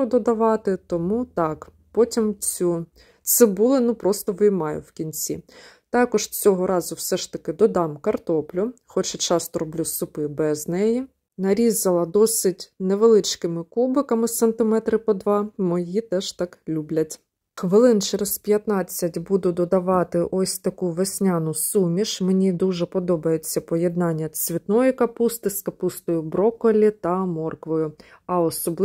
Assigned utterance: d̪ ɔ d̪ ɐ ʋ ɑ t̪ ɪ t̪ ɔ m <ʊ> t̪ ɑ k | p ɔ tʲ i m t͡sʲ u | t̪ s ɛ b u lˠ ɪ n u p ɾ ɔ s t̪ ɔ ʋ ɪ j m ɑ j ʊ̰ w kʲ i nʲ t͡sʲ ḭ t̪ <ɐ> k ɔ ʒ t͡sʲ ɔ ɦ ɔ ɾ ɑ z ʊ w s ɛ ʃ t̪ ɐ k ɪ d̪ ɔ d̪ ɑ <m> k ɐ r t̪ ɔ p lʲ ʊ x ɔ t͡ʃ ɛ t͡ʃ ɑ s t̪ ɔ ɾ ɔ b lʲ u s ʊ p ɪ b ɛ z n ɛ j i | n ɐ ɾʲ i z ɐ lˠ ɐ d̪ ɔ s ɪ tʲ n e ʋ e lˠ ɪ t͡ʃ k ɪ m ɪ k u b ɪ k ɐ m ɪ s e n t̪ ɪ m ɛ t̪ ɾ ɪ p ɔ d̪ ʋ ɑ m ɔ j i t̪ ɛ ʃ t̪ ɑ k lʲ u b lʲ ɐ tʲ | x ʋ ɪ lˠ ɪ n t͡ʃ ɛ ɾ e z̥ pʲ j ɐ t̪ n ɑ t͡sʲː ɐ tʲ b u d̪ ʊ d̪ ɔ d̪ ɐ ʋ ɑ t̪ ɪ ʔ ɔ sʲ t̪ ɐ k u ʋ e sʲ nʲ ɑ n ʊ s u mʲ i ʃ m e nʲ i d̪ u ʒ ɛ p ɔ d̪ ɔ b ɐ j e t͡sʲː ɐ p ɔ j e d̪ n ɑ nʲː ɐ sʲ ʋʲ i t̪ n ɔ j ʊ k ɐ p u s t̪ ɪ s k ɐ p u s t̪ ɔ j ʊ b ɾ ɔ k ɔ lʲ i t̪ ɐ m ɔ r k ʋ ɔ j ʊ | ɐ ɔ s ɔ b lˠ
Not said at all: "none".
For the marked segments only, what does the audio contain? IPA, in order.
u, ɑ, m

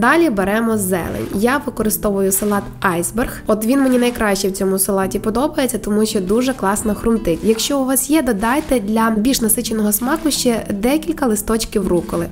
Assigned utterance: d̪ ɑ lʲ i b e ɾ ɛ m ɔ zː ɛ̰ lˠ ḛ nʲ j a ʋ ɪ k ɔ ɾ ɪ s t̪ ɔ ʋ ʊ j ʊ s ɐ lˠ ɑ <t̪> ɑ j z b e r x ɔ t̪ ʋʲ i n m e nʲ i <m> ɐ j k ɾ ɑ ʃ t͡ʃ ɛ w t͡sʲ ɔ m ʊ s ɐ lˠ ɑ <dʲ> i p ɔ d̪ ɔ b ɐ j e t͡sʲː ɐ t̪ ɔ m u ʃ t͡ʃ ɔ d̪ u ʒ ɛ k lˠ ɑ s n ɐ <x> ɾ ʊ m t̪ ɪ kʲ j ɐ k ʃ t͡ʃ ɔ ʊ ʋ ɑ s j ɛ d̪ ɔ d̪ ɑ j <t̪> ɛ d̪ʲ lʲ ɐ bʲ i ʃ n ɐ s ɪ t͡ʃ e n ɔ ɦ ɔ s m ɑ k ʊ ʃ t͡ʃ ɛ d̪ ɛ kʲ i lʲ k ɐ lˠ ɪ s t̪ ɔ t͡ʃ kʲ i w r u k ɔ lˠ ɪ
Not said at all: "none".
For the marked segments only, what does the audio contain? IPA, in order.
t̪, n, tʲ, x, t̪

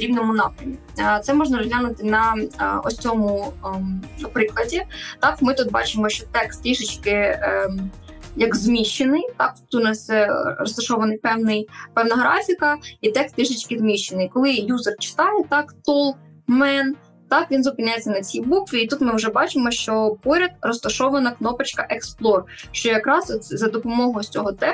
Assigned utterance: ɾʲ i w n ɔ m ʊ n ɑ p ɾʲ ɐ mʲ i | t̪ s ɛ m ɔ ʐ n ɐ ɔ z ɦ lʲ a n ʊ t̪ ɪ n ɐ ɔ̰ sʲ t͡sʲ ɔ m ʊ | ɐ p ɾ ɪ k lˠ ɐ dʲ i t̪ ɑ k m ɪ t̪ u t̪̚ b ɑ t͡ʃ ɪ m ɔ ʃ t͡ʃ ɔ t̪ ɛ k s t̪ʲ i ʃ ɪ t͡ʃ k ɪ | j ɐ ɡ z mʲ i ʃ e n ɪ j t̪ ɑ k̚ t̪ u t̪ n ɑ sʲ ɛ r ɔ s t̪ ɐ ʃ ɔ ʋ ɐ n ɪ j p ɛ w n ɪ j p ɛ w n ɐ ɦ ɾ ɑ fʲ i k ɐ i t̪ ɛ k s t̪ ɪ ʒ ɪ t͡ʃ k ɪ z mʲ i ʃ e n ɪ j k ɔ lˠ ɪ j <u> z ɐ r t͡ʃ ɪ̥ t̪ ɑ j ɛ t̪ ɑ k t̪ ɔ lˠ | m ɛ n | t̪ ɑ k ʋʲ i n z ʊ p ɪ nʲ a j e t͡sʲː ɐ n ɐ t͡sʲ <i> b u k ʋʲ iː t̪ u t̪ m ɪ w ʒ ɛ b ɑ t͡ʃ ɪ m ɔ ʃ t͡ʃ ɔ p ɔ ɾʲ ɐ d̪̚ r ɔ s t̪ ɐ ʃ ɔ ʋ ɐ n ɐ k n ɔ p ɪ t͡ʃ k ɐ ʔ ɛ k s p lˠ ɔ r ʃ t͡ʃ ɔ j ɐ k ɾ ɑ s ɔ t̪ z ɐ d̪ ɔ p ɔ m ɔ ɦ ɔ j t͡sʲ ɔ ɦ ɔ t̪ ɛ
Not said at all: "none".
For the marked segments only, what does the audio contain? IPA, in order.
u, i

